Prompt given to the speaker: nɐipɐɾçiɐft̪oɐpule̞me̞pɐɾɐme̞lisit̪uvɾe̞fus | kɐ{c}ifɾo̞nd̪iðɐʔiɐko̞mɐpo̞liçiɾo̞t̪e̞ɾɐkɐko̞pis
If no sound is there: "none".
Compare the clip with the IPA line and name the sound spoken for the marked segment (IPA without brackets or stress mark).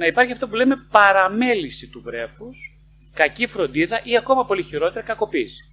c